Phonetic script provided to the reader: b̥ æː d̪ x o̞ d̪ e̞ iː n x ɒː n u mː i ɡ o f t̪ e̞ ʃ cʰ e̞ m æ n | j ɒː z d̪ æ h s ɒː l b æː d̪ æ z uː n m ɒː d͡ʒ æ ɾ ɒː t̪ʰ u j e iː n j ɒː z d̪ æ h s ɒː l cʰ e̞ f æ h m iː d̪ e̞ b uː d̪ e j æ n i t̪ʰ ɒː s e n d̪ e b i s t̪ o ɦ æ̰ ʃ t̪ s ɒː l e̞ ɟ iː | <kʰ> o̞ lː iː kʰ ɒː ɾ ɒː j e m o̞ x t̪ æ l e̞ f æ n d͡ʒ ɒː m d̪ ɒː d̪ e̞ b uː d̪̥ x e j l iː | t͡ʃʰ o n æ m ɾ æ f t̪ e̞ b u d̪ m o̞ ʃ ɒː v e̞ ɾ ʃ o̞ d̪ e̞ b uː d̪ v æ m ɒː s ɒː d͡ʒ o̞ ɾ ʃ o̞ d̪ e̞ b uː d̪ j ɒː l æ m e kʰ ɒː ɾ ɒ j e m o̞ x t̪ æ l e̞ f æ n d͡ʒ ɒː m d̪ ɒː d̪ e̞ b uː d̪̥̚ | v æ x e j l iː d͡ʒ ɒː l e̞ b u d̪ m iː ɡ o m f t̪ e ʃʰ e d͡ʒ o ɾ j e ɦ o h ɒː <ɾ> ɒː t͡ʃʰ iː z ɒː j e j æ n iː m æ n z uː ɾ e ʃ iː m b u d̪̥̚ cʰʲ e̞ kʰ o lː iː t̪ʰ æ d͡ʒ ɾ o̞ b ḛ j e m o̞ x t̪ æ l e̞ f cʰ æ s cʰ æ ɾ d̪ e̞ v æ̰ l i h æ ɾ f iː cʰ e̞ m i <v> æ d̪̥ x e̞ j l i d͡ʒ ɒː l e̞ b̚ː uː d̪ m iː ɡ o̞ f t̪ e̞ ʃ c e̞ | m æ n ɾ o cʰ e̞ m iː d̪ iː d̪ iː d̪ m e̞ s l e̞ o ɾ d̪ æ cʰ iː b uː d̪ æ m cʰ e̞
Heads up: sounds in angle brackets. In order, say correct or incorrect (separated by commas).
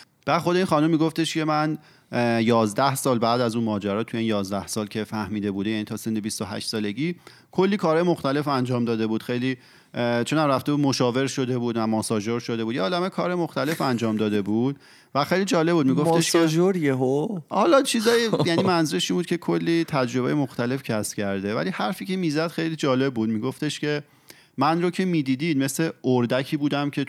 correct, incorrect, incorrect